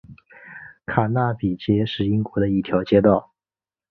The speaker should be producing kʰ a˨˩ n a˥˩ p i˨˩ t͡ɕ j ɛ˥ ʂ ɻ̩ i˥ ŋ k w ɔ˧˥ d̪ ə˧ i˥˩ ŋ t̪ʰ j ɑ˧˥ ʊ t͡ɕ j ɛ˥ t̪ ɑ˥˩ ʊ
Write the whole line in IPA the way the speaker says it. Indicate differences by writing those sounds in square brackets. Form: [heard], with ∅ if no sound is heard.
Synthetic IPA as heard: kʰ a˨˩ n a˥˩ p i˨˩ t͡ɕ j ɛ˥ ʂ ɻ̩ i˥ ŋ k w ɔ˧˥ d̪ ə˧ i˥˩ [∅] t̪ʰ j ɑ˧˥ ʊ t͡ɕ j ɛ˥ t̪ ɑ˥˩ ʊ